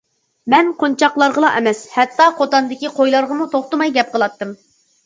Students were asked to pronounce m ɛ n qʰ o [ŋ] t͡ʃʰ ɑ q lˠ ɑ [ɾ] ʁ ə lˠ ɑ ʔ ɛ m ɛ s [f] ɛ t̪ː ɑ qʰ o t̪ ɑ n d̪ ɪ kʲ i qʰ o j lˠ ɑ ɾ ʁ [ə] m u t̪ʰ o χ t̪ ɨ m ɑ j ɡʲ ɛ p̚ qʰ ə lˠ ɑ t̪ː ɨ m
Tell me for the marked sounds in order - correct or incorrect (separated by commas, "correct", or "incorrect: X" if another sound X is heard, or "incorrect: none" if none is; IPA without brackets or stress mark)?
incorrect: n, correct, incorrect: h, correct